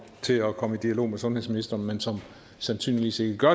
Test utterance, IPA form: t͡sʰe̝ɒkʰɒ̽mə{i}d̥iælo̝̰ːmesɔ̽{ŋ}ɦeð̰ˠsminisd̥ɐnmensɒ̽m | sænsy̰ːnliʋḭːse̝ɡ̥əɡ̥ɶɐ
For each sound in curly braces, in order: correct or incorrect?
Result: correct, incorrect: n

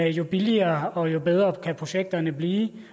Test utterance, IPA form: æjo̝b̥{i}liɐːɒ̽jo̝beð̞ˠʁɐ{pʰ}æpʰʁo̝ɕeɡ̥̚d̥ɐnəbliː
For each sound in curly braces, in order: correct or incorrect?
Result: correct, incorrect: kʰ

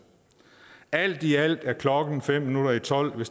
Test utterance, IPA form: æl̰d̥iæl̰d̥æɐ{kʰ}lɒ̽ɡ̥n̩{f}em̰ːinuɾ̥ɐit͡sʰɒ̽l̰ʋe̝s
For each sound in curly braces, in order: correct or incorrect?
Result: correct, correct

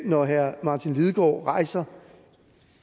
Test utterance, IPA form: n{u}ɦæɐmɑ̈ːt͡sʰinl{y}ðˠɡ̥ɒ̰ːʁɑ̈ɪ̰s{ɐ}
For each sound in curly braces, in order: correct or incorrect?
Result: incorrect: ɒ, incorrect: i, correct

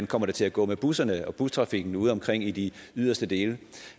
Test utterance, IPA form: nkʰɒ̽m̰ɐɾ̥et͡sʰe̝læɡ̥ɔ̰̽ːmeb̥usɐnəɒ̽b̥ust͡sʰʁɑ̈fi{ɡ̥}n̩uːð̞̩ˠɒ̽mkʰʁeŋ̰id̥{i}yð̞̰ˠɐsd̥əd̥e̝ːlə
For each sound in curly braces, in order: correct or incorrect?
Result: correct, correct

